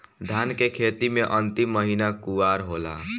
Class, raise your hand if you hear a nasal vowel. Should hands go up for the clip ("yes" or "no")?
no